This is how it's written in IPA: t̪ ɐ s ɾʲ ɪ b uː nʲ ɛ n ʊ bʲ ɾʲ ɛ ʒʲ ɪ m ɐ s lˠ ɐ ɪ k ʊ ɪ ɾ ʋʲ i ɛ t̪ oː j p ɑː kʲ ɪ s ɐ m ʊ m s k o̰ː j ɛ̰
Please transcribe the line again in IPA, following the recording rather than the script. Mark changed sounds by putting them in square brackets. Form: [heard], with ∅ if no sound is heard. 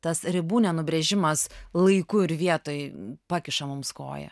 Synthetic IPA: t̪ ɐ s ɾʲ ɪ b uː nʲ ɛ n ʊ bʲ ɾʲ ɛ ʒʲ ɪ m ɐ s lˠ ɐ ɪ k ʊ ɪ ɾ ʋʲ i ɛ t̪ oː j p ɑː kʲ ɪ [ʃ] ɐ m ʊ m s k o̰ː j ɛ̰